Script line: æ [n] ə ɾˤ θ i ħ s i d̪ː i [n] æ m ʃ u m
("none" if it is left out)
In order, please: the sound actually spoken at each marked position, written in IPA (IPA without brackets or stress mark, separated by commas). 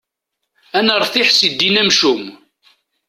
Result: n, n